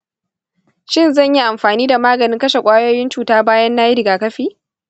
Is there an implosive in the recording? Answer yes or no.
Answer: no